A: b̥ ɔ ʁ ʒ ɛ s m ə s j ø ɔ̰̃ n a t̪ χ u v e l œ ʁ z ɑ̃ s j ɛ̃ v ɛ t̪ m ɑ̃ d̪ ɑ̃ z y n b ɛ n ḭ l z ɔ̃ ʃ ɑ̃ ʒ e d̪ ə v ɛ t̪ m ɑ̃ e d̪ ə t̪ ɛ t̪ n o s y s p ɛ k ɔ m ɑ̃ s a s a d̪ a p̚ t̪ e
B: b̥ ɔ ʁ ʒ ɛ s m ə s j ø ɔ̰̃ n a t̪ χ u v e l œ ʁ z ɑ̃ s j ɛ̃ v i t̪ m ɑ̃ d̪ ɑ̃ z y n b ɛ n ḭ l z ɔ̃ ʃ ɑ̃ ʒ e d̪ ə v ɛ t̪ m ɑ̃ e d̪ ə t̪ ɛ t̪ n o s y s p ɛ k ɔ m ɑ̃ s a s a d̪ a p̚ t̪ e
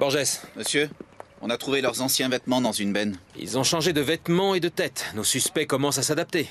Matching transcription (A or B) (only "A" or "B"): A